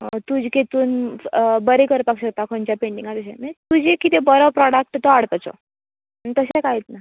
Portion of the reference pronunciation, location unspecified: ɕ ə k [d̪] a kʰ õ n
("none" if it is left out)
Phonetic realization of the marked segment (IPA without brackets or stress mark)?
t̪